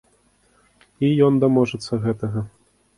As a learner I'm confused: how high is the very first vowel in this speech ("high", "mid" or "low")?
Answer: high